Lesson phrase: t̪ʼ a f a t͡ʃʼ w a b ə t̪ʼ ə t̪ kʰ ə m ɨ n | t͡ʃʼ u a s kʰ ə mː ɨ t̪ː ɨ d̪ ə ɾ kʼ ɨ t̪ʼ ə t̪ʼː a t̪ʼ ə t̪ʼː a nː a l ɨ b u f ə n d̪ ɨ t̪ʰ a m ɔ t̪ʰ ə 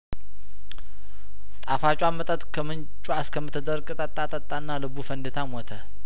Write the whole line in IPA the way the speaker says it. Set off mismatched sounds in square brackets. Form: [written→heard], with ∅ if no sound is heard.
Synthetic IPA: t̪ʼ a f a t͡ʃʼ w a [b→m] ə t̪ʼ ə t̪ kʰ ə m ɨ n | t͡ʃʼ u a s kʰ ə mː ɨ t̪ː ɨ d̪ ə ɾ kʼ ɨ t̪ʼ ə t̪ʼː a t̪ʼ ə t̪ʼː a nː a l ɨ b u f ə n d̪ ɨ t̪ʰ a m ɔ t̪ʰ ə